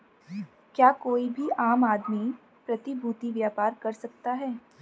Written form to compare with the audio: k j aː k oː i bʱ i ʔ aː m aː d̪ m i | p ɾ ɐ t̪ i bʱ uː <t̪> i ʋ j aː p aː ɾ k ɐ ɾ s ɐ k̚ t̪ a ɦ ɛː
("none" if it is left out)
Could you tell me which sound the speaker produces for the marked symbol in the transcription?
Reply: t̪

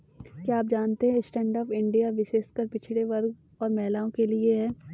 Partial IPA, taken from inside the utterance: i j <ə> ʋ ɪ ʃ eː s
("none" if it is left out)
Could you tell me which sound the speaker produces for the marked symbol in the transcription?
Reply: a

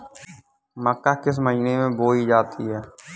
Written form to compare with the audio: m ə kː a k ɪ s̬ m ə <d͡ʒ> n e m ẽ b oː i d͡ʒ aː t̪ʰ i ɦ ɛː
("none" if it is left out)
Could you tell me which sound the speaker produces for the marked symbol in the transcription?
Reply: d͡ʒ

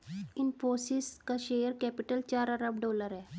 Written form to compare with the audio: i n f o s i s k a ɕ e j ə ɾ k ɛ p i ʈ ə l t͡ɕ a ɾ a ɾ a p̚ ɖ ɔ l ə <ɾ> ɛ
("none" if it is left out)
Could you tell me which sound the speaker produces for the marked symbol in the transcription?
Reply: ɾ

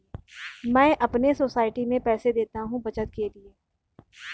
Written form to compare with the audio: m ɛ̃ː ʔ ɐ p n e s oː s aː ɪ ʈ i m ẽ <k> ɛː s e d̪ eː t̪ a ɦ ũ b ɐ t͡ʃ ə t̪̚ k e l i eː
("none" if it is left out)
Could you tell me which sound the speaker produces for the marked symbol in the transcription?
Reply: p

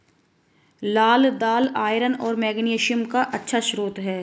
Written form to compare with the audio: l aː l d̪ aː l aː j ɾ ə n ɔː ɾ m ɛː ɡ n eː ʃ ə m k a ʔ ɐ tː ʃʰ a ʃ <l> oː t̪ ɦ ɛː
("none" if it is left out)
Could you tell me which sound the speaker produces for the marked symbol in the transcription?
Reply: ɾ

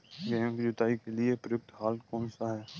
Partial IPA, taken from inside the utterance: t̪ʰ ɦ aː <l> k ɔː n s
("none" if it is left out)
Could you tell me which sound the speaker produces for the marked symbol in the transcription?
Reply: l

